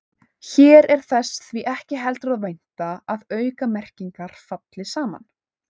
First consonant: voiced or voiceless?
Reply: voiceless